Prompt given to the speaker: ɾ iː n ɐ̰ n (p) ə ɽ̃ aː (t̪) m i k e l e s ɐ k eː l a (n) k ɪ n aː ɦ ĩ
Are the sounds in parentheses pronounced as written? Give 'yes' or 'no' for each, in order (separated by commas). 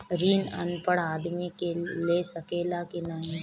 yes, no, no